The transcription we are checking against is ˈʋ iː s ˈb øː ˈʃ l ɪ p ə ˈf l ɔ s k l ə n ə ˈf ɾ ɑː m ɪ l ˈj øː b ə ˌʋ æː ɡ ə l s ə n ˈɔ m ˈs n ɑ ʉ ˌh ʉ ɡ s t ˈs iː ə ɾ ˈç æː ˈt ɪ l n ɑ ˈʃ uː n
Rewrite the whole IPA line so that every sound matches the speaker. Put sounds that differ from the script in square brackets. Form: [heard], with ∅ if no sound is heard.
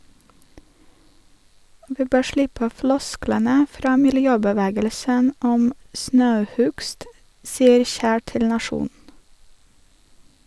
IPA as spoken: ˈʋ iː [∅] ˈb øː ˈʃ l ɪ p ə ˈf l ɔ s k l ə n ə ˈf ɾ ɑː m ɪ l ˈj øː b ə ˌʋ æː ɡ ə l s ə n ˈɔ m ˈs n ɑ ʉ ˌh ʉ ɡ s t ˈs iː ə ɾ ˈç æː ˈt ɪ l n ɑ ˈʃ uː n